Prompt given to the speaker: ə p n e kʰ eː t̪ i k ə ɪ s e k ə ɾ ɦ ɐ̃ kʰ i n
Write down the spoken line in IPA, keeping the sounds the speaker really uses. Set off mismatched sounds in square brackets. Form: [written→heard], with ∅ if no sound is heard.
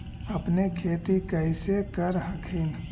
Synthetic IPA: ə p n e kʰ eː t̪ i k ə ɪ s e k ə ɾ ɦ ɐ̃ kʰ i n